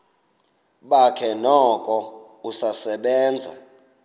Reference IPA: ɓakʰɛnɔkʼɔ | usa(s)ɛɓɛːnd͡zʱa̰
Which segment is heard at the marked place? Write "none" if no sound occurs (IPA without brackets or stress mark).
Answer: s